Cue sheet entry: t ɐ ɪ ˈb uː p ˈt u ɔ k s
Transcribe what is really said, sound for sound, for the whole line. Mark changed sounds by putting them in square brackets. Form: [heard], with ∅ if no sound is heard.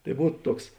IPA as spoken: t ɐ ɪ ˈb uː [t] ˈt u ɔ k s